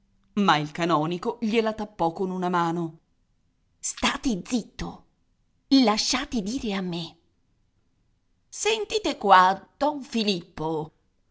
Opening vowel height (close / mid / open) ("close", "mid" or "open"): open